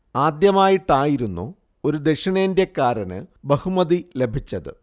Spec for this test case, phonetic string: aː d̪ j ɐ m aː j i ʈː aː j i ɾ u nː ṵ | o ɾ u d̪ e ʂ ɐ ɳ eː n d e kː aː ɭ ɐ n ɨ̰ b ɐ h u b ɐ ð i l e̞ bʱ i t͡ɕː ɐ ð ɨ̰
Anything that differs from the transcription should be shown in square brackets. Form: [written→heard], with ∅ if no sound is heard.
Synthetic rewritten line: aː d̪ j ɐ m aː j i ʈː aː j i ɾ u nː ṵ | o ɾ u d̪ e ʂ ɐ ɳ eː n d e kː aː [ɭ→ɾ] ɐ n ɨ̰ b ɐ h u [b→m] ɐ ð i l e̞ bʱ i t͡ɕː ɐ ð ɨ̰